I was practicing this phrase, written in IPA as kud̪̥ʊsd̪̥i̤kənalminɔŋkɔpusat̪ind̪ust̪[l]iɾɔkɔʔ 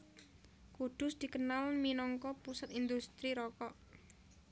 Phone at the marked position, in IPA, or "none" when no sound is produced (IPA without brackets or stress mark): ɾ